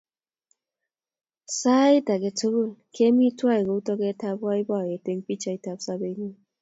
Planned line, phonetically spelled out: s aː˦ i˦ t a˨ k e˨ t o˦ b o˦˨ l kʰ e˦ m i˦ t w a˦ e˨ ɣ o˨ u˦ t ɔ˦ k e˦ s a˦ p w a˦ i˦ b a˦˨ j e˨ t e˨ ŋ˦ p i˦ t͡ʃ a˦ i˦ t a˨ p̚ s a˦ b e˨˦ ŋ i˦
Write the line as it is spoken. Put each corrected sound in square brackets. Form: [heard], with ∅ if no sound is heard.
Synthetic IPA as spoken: s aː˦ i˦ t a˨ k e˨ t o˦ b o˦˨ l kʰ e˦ m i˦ t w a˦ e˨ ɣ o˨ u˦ t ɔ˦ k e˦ [t] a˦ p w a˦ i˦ b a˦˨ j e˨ t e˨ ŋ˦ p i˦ t͡ʃ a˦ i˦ t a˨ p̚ s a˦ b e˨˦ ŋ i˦